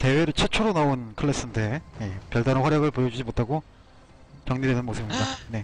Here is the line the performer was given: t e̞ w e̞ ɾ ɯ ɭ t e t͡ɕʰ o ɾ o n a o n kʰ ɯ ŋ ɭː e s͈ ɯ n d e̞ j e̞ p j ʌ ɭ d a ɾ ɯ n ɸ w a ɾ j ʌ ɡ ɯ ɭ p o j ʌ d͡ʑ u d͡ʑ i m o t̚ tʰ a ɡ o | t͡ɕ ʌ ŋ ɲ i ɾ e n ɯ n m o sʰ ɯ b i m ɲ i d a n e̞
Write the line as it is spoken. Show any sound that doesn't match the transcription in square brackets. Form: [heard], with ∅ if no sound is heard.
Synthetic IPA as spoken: t e̞ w e̞ ɾ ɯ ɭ [t͡ɕʰ] e t͡ɕʰ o ɾ o n a o n kʰ ɯ [∅] ɭː e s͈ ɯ n d e̞ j e̞ p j ʌ ɭ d a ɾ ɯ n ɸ w a ɾ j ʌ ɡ ɯ ɭ p o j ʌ d͡ʑ u d͡ʑ i m o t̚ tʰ a ɡ o | t͡ɕ ʌ ŋ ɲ i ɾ e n ɯ n m o sʰ ɯ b i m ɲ i d a n e̞